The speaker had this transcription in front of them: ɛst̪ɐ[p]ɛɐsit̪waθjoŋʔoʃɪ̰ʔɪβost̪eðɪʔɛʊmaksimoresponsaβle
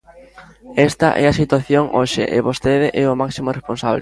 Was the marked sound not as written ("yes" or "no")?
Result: yes